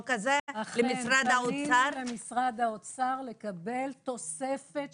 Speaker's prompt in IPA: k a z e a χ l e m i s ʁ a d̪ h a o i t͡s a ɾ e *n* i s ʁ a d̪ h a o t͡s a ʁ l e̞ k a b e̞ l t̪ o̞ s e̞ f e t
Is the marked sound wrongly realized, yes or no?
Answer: yes